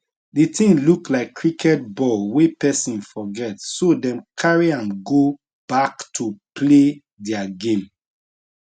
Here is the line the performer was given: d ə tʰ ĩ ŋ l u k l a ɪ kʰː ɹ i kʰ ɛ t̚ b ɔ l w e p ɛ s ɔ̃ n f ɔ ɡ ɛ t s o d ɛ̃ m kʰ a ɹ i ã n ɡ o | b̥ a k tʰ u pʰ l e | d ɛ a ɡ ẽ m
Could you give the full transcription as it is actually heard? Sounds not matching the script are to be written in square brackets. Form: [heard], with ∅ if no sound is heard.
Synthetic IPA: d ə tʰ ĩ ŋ l u k l a ɪ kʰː ɹ i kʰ ɛ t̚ b ɔ l w e p ɛ s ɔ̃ n f ɔ ɡ ɛ t s o d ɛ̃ m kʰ a ɹ i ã n ɡ o | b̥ a k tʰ u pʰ l e | d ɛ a ɡ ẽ m